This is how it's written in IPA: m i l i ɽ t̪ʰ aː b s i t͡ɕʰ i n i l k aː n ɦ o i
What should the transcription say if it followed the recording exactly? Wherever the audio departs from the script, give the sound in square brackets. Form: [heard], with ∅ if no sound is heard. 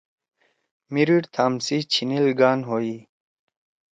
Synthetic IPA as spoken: m i [ɾ] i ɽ t̪ʰ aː [m] s i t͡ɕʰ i n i l [ɡ] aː n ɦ o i